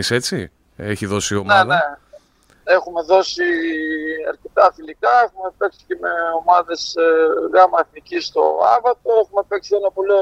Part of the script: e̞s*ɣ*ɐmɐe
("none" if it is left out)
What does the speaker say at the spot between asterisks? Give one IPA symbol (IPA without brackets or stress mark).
ɣ